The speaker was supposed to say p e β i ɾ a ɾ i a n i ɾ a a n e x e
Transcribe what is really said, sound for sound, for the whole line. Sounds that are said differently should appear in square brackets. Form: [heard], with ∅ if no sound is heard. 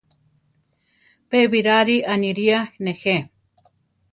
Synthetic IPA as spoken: p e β i ɾ a ɾ i a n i ɾ [i] a n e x e